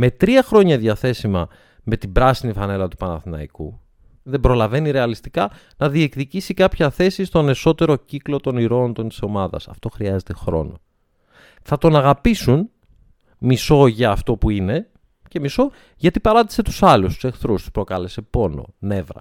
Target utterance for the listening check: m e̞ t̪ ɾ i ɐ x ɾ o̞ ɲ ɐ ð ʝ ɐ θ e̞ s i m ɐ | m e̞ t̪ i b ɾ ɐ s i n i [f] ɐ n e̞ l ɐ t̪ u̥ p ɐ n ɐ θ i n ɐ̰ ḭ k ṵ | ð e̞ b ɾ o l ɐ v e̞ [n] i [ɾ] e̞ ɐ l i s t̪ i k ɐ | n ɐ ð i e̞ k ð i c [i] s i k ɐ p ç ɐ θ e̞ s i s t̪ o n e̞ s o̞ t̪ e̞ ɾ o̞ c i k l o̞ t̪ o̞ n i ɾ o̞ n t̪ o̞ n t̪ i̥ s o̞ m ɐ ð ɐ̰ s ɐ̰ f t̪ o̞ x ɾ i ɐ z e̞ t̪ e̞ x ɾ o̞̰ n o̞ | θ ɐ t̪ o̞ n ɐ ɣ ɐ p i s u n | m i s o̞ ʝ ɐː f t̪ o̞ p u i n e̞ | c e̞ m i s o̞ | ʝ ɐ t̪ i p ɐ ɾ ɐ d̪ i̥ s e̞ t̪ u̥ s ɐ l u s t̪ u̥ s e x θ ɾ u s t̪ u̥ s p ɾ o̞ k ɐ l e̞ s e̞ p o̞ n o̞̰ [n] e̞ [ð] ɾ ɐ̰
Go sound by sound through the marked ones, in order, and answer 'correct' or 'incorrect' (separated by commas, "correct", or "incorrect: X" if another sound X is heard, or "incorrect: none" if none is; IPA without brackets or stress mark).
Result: correct, correct, correct, correct, correct, incorrect: v